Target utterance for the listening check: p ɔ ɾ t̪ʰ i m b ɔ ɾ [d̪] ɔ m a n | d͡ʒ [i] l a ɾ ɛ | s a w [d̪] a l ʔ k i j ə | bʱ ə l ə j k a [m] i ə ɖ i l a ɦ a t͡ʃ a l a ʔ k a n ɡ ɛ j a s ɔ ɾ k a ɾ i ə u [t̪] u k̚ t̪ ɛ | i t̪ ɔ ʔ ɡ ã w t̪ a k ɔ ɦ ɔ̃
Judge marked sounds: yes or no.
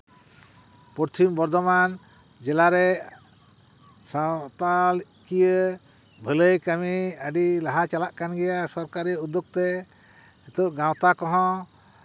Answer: yes, no, no, yes, no

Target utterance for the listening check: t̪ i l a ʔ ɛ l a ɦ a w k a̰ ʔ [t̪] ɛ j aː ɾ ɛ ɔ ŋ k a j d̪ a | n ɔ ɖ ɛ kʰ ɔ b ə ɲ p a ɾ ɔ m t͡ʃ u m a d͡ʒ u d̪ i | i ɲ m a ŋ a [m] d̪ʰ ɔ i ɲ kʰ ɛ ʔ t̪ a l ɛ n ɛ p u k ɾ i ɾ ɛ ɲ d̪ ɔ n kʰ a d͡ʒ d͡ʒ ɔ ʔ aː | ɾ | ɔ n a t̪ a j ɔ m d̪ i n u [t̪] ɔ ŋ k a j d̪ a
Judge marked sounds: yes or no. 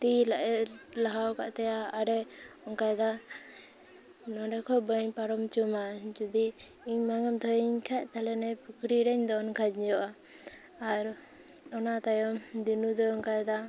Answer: yes, yes, no

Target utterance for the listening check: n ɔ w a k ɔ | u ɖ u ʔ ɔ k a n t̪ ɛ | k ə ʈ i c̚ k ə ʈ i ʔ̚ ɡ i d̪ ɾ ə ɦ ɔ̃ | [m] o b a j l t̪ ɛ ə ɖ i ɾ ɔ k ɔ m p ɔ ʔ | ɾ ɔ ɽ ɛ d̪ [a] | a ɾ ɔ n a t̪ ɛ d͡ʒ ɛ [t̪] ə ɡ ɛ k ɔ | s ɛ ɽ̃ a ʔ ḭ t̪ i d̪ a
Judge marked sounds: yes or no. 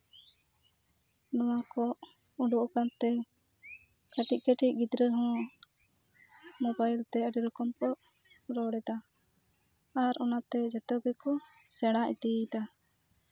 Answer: yes, yes, yes

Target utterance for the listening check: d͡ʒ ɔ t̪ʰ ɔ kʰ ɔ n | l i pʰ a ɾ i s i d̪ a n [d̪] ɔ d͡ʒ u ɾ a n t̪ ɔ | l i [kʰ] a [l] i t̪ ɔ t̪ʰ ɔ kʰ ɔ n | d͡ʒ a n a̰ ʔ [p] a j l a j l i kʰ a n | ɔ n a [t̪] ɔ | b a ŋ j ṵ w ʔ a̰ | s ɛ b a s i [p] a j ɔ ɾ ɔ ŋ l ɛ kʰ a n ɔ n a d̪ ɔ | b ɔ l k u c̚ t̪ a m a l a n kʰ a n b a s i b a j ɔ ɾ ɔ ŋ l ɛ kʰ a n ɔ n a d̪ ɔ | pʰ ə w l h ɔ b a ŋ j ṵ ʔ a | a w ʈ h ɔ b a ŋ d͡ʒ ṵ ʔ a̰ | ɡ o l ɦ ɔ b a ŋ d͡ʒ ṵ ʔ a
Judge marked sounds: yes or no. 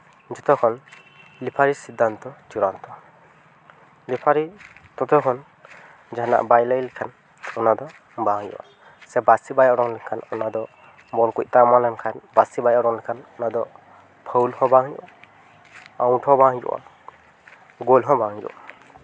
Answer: no, no, no, no, no, no

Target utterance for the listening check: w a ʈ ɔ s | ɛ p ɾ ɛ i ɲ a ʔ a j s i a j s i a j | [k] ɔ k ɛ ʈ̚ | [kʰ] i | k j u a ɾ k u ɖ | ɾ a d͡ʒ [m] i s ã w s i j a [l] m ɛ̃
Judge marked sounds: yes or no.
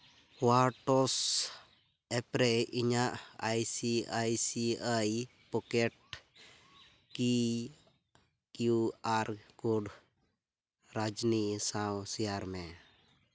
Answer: no, no, no, no

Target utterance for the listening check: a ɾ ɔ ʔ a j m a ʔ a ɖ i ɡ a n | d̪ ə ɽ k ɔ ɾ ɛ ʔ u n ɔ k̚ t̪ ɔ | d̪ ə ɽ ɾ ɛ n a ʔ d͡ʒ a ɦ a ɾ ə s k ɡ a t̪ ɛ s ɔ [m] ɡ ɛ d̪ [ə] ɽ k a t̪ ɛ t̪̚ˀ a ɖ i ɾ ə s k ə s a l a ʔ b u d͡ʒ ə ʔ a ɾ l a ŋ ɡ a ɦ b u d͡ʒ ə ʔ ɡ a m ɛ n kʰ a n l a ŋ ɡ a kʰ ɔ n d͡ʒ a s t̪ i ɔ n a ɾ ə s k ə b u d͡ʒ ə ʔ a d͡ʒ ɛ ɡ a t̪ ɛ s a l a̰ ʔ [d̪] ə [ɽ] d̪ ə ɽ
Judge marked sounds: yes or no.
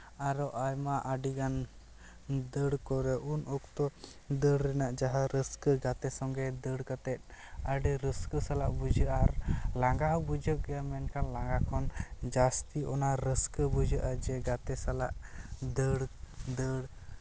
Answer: no, yes, yes, yes

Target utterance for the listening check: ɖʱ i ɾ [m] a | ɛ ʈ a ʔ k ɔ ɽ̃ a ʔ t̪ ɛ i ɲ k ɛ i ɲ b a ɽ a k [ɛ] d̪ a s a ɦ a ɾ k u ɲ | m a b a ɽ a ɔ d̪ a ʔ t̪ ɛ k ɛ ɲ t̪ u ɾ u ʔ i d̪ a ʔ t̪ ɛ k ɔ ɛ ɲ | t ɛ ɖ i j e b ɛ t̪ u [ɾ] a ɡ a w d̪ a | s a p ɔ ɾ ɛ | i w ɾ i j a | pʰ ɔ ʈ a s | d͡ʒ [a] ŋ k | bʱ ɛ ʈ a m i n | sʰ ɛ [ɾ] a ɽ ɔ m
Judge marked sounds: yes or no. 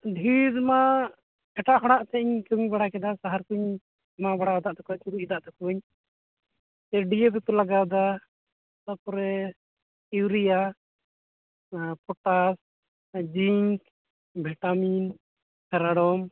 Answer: yes, yes, no, no, yes

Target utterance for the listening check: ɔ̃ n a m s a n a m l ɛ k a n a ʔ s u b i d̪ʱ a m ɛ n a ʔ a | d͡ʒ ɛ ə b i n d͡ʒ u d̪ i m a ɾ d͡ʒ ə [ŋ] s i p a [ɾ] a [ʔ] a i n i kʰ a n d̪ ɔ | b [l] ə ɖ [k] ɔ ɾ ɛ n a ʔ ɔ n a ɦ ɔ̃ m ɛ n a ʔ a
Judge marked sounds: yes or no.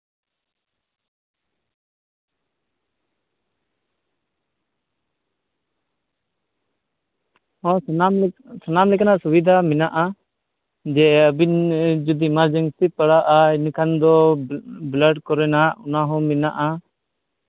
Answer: yes, no, yes, yes, yes

